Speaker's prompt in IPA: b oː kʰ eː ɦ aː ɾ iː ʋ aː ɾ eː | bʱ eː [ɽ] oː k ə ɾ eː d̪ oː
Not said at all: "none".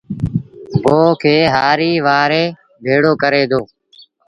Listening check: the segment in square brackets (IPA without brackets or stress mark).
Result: ɽ